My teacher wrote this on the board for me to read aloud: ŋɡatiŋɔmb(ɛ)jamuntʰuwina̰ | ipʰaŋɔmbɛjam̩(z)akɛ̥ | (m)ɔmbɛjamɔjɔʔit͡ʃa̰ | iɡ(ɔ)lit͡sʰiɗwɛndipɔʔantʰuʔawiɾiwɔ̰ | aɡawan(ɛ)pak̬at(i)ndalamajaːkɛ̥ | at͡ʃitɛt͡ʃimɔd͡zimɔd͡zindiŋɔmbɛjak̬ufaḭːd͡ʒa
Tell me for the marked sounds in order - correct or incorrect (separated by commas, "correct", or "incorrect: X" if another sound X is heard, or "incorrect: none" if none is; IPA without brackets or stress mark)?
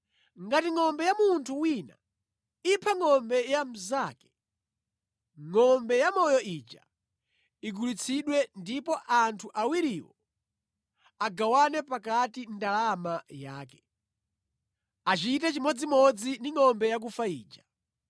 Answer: correct, correct, incorrect: ŋ, incorrect: u, correct, correct